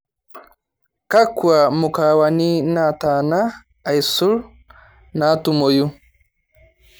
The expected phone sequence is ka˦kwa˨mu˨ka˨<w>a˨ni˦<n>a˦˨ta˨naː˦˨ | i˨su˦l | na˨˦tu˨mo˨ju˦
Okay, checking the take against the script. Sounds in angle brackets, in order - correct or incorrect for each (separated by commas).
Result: correct, correct